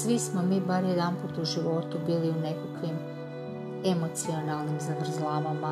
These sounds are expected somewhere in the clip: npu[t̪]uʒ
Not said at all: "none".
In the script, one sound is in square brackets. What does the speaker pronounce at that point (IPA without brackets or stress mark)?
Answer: t̪